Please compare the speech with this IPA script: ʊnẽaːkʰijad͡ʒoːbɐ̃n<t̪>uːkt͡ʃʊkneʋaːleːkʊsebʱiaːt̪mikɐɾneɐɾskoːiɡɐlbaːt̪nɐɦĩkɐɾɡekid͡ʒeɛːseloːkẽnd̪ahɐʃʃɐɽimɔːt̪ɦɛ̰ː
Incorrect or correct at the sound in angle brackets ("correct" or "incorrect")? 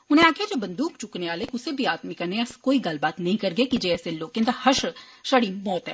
incorrect